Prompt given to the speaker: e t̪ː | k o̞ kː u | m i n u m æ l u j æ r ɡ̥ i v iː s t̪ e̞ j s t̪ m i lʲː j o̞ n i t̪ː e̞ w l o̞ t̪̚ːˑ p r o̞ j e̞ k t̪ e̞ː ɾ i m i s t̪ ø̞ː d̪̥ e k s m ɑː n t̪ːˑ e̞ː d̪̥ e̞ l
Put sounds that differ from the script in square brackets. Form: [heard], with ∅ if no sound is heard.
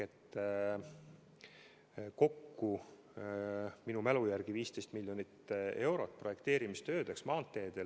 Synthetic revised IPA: e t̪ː | k o̞ kː u | m i n u m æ l u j æ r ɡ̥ i v iː s t̪ e̞ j s t̪ m i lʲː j o̞ n i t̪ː e̞ w [ɾ] o̞ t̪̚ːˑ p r o̞ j e̞ k t̪ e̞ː ɾ i m i s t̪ ø̞ː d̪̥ e k s m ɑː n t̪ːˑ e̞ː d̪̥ e̞ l